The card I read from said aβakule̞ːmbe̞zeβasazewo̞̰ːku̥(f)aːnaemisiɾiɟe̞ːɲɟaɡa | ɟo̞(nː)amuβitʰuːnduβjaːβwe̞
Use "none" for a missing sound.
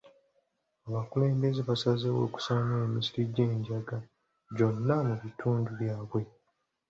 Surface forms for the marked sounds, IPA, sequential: s, nː

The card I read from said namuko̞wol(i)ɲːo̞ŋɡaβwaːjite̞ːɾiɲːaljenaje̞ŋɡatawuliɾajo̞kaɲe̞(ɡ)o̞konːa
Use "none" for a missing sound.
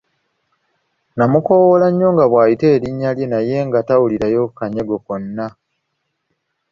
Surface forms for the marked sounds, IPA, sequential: a, ɡ

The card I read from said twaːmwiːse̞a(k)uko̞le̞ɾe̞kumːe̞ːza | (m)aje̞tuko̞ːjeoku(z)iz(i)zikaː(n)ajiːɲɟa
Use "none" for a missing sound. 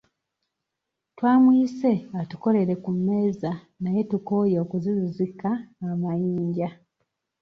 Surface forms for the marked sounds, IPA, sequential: t, n, z, i, m

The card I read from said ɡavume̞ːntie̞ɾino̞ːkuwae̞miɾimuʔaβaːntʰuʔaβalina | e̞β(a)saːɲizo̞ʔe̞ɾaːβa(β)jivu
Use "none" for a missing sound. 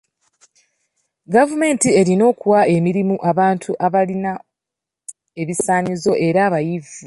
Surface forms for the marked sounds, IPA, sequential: i, none

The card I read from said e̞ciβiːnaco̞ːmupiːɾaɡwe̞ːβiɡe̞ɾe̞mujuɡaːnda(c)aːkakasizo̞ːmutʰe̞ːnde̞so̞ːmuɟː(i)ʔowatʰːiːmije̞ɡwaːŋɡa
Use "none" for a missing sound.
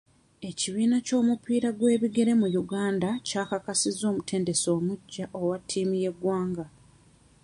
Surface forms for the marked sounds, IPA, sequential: c, a

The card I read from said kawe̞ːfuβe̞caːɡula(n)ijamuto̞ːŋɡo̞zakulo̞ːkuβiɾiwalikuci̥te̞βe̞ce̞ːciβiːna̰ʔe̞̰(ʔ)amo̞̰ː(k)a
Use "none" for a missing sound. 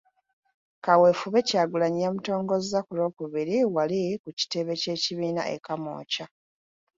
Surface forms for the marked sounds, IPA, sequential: ɲ, k, c

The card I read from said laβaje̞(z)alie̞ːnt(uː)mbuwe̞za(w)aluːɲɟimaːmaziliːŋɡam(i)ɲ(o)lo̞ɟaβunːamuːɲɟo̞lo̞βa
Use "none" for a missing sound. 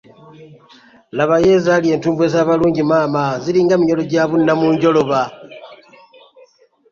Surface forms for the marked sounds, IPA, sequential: z, uː, β, i, o

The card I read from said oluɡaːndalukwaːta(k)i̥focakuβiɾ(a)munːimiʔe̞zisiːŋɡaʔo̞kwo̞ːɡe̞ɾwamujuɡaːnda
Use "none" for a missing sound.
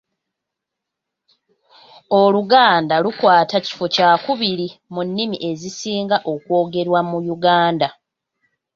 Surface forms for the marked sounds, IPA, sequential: c, i

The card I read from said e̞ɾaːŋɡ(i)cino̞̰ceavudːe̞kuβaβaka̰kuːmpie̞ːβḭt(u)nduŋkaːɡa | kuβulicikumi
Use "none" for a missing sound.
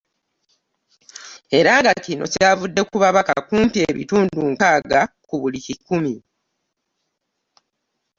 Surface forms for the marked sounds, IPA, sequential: a, uː

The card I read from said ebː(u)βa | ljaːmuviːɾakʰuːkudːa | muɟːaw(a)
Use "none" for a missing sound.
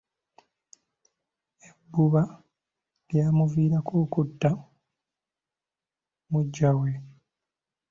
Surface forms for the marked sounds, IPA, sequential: u, e

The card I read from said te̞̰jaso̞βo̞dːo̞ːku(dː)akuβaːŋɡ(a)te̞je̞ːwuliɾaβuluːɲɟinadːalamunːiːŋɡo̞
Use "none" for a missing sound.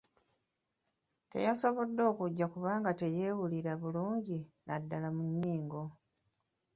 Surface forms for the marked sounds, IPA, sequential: ɟː, a

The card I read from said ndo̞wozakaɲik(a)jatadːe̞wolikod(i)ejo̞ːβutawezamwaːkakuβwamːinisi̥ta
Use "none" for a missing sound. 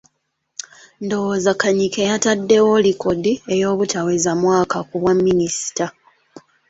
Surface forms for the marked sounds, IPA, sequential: e, i

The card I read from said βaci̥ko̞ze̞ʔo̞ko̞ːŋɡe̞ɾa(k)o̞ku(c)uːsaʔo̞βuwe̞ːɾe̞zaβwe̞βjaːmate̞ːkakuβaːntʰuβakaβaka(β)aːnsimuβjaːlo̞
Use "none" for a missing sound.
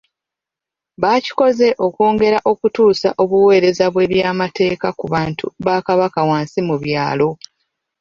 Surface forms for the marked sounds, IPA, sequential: ʔ, t, w

